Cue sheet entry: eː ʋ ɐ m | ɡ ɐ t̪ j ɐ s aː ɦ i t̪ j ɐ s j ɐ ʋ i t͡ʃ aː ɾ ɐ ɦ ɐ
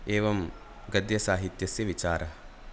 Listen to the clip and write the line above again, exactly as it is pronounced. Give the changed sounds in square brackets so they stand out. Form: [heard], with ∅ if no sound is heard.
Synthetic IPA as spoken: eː ʋ ɐ m | ɡ ɐ [d̪] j ɐ s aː ɦ i t̪ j ɐ s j ɐ ʋ i t͡ʃ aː ɾ ɐ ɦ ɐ